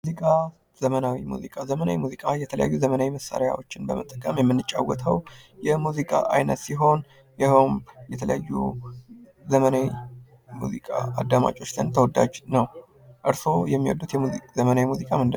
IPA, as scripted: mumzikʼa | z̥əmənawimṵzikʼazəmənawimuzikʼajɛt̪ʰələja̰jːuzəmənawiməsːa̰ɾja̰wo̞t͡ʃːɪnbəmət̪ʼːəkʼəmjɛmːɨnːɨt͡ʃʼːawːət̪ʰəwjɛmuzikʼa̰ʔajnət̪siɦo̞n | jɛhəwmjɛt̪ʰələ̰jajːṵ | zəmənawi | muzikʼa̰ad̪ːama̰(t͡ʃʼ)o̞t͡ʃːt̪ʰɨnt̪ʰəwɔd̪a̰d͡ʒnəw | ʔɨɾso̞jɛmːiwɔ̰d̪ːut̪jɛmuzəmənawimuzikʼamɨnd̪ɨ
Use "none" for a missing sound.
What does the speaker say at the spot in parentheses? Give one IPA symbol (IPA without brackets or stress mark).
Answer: t͡ʃʼ